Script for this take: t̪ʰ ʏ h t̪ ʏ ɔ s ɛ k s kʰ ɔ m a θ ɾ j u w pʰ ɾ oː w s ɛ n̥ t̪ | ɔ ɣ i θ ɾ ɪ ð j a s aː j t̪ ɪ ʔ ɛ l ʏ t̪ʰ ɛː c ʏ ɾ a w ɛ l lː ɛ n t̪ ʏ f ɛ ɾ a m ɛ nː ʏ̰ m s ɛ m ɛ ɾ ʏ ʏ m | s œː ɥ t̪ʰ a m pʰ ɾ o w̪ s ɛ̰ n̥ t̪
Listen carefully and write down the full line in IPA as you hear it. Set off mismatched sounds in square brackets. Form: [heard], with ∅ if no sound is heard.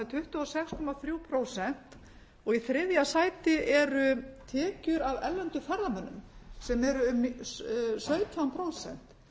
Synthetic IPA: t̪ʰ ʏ h t̪ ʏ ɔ s ɛ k s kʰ ɔ m a θ ɾ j u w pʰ ɾ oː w s ɛ n̥ t̪ | ɔ ɣ i θ ɾ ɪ ð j a s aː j t̪ ɪ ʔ ɛ [ɾ] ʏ t̪ʰ ɛː c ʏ ɾ a [v] ɛ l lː ɛ n t̪ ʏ f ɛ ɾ a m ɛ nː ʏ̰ m s ɛ m ɛ ɾ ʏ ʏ m | s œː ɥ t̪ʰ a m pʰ ɾ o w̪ s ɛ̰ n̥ t̪